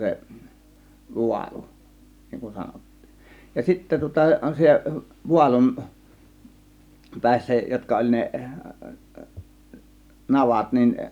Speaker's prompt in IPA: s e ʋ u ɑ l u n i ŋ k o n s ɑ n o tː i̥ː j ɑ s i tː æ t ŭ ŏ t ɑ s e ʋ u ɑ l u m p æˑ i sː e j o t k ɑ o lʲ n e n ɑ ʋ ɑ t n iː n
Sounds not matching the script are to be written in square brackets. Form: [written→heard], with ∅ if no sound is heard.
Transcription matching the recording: s e ʋ u ɑ l u n i ŋ k [o→u] n s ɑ n o tː i̥ː j ɑ s i tː æ t ŭ ŏ t ɑ s e ʋ u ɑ l u m p æˑ i sː [e→æ] j o t k ɑ o lʲ n e n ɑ ʋ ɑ t n [iː→i] n